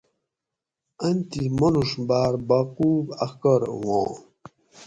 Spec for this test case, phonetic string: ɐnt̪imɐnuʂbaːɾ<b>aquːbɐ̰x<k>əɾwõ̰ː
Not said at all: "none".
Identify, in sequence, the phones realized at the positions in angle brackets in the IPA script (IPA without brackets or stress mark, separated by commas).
b, k